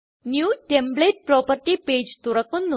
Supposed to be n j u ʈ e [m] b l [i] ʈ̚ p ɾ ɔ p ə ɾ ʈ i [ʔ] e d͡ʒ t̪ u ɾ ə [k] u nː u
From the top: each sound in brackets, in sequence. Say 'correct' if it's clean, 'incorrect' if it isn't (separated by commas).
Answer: correct, incorrect, incorrect, correct